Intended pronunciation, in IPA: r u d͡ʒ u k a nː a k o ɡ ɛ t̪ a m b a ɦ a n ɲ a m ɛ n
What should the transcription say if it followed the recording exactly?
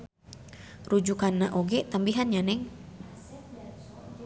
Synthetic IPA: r u d͡ʒ u k a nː a ʔ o ɡ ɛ t̪ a m b i ɦ a n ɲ a n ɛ ŋ

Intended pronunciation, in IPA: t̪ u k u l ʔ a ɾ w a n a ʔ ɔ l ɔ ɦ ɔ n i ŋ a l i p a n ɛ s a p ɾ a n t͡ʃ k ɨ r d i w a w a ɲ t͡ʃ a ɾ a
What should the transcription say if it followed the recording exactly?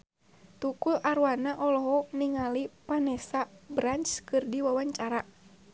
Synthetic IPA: t̪ u k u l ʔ a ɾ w a n a ʔ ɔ l ɔ ɦ ɔ n i ŋ a l i p a n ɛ s a b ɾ a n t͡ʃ k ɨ r d i w a w a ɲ t͡ʃ a ɾ a

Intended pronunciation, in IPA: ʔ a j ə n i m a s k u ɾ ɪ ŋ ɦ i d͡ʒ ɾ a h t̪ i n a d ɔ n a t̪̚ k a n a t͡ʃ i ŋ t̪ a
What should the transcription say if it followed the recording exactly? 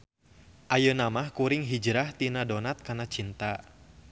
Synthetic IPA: ʔ a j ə n a m a h k u ɾ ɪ ŋ ɦ i d͡ʒ ɾ a h t̪ i n a d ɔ n a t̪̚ k a n a t͡ʃ i n t̪ a

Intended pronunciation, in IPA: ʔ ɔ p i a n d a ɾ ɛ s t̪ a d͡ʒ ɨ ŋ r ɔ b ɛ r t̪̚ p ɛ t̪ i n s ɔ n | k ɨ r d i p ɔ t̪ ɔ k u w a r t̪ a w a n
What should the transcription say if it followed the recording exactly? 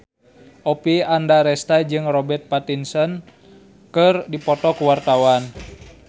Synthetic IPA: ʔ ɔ p i a n d a ɾ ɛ s t̪ a d͡ʒ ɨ ŋ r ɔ b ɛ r t̪̚ p a t̪ i n s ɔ n | k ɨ r d i p ɔ t̪ ɔ k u w a r t̪ a w a n

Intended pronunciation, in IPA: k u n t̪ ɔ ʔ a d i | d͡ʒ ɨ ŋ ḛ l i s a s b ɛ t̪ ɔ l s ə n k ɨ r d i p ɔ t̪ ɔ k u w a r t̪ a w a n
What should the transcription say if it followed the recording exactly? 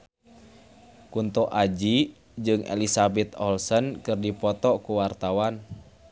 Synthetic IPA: k u n t̪ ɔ ʔ a d͡ʒ i | d͡ʒ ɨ ŋ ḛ l i s a b ɛ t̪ ɔ l s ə n k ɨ r d i p ɔ t̪ ɔ k u w a r t̪ a w a n

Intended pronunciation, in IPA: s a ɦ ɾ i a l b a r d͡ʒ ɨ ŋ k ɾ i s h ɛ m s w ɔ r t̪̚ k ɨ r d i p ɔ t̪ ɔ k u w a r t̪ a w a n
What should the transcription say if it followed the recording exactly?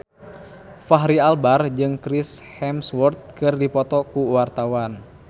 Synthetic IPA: f a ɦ ɾ i a l b a r d͡ʒ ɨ ŋ k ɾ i s h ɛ m s w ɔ r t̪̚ k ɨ r d i p ɔ t̪ ɔ k u w a r t̪ a w a n

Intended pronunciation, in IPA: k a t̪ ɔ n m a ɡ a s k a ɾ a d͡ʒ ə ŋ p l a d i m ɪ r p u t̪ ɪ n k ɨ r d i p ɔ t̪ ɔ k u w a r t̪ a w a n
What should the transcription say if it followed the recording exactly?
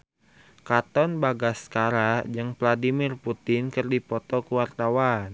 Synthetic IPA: k a t̪ ɔ n b a ɡ a s k a ɾ a d͡ʒ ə ŋ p l a d i m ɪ r p u t̪ ɪ n k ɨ r d i p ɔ t̪ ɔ k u w a r t̪ a w a n

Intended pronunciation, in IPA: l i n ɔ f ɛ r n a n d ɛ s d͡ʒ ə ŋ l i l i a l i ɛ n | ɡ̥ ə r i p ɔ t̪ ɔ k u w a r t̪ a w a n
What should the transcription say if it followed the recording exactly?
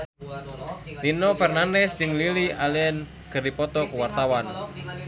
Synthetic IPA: l i n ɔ f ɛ r n a n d ɛ s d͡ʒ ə ŋ l i l i a l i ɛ n | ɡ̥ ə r i p ɔ t̪ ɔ k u w a r t̪ a w a n

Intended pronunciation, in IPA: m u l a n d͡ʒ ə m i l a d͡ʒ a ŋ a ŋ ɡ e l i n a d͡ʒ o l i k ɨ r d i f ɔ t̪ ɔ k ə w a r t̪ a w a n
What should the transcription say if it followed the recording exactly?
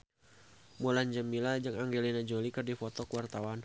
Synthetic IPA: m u l a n d͡ʒ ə m i l a d͡ʒ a ŋ a ŋ ɡ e l i n a d͡ʒ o l i k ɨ r d i f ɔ t̪ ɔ k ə w a r t̪ a w a n

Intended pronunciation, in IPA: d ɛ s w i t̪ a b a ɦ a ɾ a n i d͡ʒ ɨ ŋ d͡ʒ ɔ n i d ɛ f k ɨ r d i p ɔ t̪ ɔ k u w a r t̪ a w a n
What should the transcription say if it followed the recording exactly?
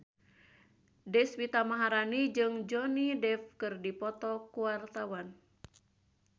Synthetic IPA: d ɛ s w i t̪ a m a ɦ a ɾ a n i d͡ʒ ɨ ŋ d͡ʒ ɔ n i d ɛ f k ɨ r d i p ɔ t̪ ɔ k u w a r t̪ a w a n

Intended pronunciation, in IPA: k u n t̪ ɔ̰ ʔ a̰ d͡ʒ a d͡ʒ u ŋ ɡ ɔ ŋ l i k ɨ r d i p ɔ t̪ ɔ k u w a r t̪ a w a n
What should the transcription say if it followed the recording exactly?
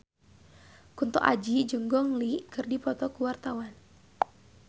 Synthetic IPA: k u n t̪ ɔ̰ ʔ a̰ d͡ʒ i d͡ʒ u ŋ ɡ ɔ ŋ l i k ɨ r d i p ɔ t̪ ɔ k u w a r t̪ a w a n

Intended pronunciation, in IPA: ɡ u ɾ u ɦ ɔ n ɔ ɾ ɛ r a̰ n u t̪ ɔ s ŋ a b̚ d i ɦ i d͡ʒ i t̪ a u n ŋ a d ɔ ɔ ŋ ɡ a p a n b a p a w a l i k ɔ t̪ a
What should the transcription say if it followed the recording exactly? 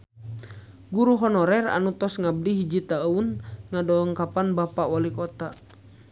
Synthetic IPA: ɡ u ɾ u ɦ ɔ n ɔ ɾ ɛ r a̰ n u t̪ ɔ s ŋ a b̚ d i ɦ i d͡ʒ i t̪ a u n ŋ a d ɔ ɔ ŋ k a p a n b a p a w a l i k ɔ t̪ a

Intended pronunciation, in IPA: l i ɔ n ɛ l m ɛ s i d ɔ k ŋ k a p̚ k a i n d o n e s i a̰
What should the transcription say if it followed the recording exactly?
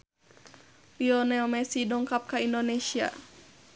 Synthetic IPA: l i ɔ n ɛ l m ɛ s i d ɔ ŋ k a p̚ k a i n d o n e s i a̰

